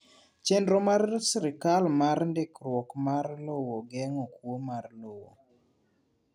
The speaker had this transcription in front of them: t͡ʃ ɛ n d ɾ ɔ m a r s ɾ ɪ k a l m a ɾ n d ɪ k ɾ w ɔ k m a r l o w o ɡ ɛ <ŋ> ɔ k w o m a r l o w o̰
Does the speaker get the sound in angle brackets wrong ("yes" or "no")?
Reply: no